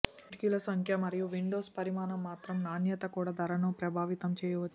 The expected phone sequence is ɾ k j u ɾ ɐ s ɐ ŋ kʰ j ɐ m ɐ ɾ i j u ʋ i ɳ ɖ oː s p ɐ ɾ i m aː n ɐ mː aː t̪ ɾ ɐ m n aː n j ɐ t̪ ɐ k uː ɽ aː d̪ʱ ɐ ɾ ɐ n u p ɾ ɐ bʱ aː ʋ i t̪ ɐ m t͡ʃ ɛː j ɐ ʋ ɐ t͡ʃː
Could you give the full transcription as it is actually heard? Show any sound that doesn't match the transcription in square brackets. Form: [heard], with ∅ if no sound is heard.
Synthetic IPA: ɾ k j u [l] ɐ s ɐ ŋ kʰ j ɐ m ɐ ɾ i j u ʋ i ɳ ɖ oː s p ɐ ɾ i m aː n ɐ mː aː t̪ ɾ ɐ m n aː n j ɐ t̪ ɐ k uː ɽ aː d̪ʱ ɐ ɾ ɐ n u p ɾ ɐ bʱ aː ʋ i t̪ ɐ m t͡ʃ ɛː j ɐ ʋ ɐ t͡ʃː